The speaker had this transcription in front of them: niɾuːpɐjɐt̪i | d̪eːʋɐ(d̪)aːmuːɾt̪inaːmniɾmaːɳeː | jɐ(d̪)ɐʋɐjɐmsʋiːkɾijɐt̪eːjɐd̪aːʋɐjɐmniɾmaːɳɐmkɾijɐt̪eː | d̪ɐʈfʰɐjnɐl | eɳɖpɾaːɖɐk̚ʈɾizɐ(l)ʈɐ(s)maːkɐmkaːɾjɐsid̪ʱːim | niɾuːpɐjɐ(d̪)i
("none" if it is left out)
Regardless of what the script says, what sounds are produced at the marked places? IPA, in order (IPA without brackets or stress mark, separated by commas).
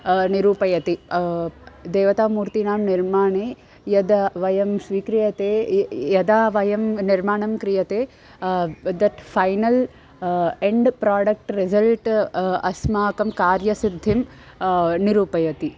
t̪, d̪, l, s, t̪